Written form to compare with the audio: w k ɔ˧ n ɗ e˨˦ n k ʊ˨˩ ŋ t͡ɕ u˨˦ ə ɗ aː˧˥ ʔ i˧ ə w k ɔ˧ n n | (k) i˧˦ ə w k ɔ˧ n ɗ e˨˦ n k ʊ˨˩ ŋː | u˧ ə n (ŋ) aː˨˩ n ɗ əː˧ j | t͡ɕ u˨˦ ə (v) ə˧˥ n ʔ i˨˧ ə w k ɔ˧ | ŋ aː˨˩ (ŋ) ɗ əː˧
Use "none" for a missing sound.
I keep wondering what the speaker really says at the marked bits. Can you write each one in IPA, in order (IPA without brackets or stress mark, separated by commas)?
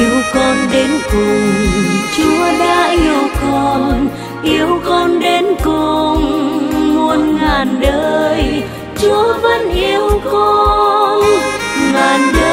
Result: ʔ, ŋ, v, n